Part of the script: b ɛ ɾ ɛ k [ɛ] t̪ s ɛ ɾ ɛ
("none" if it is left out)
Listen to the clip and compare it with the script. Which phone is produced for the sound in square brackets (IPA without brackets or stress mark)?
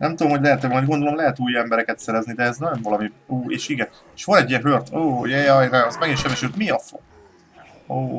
ɛ